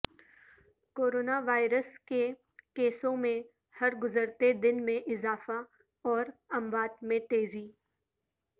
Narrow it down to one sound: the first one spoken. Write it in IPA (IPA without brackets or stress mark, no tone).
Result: k